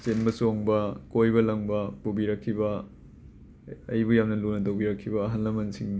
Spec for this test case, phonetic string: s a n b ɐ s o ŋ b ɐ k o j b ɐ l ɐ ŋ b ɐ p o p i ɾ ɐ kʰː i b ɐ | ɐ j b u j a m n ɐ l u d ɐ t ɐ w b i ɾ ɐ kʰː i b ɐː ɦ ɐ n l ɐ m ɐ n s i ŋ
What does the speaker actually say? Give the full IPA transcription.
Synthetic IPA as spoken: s e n b ɐ s o ŋ b ɐ k o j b ɐ l ɐ ŋ b ɐ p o b i ɾ ɐ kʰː i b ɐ | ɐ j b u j a m n ɐ l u n ɐ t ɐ w b i ɾ ɐ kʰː i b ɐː ɦ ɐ n l ɐ m ɐ n s i ŋ